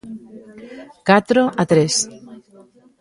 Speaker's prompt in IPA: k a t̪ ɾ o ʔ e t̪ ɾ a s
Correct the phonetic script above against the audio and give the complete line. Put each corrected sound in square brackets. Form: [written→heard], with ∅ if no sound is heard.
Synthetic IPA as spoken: k a t̪ ɾ o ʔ [e→a] t̪ ɾ [a→e] s